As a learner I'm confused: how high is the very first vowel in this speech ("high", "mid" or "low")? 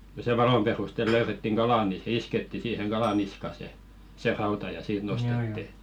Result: mid